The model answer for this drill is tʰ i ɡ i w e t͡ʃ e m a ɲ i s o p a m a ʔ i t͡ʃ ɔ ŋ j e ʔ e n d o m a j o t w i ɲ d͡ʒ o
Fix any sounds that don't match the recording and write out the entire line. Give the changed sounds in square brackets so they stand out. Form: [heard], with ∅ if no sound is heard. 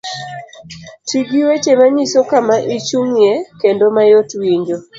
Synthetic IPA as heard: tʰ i ɡ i w e t͡ʃ e m a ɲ i s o [k] a m a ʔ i t͡ʃ [u] ŋ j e [k] e n d o m a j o t w i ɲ d͡ʒ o